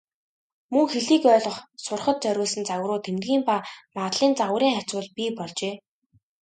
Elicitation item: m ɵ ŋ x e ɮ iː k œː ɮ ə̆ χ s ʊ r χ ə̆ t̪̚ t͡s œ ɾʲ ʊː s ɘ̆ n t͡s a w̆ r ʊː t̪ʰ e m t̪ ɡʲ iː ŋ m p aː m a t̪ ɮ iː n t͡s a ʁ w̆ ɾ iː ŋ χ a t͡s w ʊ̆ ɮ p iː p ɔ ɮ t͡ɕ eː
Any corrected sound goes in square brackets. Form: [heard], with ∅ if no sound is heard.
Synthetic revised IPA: m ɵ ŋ x e ɮ iː k œː ɮ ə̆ χ s ʊ r χ ə̆ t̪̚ t͡s œ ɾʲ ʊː s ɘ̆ n t͡s a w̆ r ʊː t̪ʰ e m t̪ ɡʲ iː [∅] m p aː m a t̪ ɮ iː n t͡s a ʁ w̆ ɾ iː ŋ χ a t͡s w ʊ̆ ɮ p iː p ɔ ɮ t͡ɕ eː